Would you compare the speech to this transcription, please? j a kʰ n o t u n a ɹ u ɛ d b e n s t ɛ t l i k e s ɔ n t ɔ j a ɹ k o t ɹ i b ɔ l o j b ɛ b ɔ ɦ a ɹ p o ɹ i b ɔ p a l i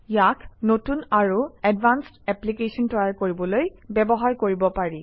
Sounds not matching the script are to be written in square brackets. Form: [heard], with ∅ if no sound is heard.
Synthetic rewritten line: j a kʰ n o t u n a ɹ u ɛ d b [a] n s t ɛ [p] l i k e s ɔ n t ɔ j a ɹ k o [∅] ɹ i b ɔ l o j b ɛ b ɔ ɦ a ɹ [k] o ɹ i b ɔ p a [ɹ] i

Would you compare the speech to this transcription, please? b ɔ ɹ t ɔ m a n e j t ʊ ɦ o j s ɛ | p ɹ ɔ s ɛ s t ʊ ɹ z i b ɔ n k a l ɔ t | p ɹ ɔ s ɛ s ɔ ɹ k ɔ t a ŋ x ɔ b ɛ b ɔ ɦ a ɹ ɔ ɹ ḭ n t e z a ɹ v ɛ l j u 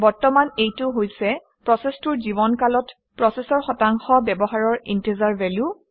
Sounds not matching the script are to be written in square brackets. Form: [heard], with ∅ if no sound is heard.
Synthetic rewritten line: b ɔ ɹ t ɔ m a n e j t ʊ ɦ o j s ɛ | p ɹ ɔ s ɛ s t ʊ ɹ z i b ɔ n k a l ɔ t | p ɹ ɔ s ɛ s ɔ ɹ [x] ɔ t a ŋ x ɔ b ɛ b ɔ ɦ a ɹ ɔ ɹ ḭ n t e z a ɹ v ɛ l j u

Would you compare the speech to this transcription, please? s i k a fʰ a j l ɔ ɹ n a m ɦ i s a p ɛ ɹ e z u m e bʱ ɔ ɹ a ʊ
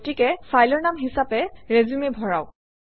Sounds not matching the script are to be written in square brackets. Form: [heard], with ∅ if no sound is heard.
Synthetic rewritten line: [t] i k [ɛ] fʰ a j l ɔ ɹ n a m ɦ i s a p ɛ ɹ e z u m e bʱ ɔ ɹ a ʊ

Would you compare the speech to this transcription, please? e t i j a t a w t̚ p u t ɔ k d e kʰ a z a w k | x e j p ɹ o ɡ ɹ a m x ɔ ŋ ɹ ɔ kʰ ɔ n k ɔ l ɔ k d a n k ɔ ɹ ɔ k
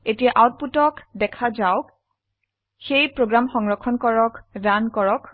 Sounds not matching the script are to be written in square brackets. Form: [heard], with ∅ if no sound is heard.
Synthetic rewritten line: e t i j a [ʔ] a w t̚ p u t ɔ k d [ɛ] kʰ a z a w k | x e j p ɹ o ɡ ɹ a m x ɔ ŋ ɹ ɔ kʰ ɔ n k ɔ [ɹ] ɔ k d a n k ɔ ɹ ɔ k

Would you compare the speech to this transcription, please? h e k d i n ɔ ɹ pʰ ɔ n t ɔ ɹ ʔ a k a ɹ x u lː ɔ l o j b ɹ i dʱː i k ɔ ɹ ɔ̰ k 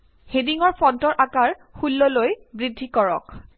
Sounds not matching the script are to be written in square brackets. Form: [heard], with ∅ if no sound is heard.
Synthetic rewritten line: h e [∅] d i [ŋ] ɔ ɹ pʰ ɔ n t ɔ ɹ ʔ a k a ɹ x u lː ɔ l o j b ɹ i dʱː i k ɔ ɹ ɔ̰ k

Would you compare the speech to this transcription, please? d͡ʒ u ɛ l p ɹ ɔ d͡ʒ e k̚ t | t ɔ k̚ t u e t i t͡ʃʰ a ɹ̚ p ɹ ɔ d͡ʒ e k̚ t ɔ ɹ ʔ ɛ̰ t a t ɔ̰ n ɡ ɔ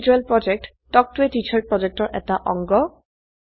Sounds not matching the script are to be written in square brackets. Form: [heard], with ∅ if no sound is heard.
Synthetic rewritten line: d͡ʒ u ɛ l p ɹ ɔ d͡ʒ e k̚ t | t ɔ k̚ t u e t i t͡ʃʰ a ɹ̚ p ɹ ɔ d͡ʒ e k̚ t ɔ ɹ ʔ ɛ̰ t a [ʔ] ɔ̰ [ŋ] ɡ ɔ

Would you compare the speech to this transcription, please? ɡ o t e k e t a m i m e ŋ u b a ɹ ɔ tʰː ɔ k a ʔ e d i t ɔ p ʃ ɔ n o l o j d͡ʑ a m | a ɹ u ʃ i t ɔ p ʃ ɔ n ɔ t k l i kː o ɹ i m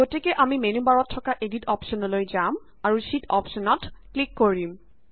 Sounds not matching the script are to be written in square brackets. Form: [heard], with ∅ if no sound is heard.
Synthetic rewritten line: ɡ o t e k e [ʔ] a m i m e [n] u b a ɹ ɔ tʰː ɔ k a ʔ e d i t ɔ p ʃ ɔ n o l o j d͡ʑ a m | a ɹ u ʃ i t ɔ p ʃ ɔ n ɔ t k l i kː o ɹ i m

